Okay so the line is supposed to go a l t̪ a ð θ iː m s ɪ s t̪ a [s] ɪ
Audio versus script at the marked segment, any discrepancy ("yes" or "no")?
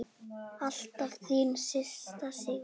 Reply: no